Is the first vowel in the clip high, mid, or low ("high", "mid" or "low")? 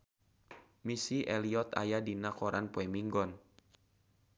high